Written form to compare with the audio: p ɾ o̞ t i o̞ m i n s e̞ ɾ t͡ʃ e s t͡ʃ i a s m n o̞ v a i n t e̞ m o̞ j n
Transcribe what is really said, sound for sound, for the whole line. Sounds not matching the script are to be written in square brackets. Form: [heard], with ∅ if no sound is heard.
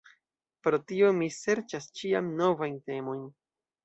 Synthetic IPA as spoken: p ɾ o̞ t i o̞ m i [∅] s e̞ ɾ t͡ʃ [a] s t͡ʃ i a [∅] m n o̞ v a [j] n t e̞ m o̞ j n

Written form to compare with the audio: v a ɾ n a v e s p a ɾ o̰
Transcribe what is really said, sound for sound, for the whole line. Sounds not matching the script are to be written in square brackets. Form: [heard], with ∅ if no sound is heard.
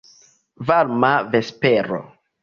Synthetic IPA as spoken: v a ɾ [m] a v e s p [e] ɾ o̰

